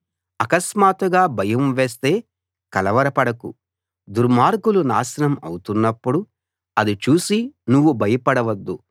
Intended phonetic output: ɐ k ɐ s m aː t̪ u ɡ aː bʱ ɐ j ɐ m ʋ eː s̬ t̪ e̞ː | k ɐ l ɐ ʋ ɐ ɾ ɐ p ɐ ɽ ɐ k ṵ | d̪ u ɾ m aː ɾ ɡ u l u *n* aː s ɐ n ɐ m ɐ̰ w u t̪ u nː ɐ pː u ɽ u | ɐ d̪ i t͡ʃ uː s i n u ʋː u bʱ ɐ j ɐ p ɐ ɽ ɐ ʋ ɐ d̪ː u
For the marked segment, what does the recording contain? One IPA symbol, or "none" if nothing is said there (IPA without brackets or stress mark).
n